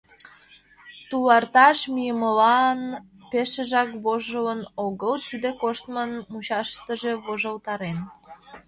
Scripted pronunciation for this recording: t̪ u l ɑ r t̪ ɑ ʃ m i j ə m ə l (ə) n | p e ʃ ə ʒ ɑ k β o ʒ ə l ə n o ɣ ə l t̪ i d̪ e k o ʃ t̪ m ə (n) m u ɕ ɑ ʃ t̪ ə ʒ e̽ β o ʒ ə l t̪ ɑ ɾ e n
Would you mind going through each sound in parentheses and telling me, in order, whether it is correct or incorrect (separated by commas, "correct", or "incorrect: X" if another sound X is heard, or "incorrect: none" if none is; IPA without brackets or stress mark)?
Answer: incorrect: ɑ, correct